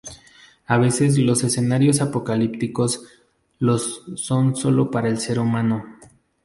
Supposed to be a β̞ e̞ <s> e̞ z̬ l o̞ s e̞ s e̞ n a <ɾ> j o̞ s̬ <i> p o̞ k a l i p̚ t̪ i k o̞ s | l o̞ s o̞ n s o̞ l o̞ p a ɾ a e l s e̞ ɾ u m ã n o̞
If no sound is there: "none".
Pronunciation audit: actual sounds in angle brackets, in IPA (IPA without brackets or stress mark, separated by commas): s, ɾ, a